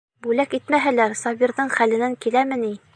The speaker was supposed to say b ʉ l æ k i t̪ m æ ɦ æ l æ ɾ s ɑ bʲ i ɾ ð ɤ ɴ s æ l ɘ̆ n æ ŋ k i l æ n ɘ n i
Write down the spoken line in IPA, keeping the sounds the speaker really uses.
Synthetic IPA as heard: b ʉ l æ k i t̪ m æ ɦ æ l æ ɾ s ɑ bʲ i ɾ ð ɤ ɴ χ æ l ɘ̆ n æ ŋ k i l æ m ɘ n i